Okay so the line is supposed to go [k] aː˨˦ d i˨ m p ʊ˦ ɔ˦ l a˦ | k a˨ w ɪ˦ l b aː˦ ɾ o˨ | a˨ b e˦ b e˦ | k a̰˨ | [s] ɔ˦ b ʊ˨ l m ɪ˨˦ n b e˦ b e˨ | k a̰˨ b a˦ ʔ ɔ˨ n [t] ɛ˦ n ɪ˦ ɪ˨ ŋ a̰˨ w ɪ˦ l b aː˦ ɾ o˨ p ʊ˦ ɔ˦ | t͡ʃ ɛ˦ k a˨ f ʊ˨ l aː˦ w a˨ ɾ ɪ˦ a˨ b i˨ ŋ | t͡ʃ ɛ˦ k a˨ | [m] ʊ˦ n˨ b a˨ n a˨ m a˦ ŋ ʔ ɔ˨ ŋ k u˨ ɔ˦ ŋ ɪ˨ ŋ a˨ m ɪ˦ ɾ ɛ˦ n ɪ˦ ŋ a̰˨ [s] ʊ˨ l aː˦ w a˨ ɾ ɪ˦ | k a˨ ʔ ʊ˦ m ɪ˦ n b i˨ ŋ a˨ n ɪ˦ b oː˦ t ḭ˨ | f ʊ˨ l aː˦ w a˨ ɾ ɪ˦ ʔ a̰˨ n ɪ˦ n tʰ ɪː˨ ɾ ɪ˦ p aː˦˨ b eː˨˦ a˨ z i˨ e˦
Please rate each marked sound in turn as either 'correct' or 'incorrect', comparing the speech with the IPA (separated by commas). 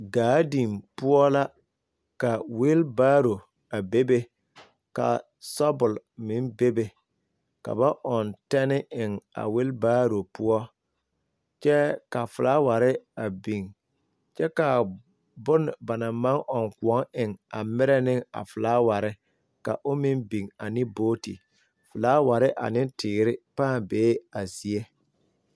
incorrect, correct, correct, incorrect, incorrect